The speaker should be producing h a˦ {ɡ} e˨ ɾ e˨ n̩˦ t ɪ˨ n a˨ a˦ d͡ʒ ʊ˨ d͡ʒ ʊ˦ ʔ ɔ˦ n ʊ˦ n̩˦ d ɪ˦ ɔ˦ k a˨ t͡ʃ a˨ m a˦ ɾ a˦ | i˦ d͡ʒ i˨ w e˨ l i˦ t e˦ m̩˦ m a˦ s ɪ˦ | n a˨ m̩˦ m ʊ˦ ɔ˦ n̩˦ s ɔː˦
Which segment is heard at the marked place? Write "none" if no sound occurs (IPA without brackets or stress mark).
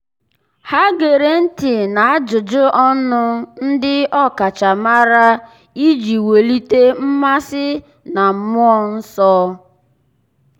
ɡ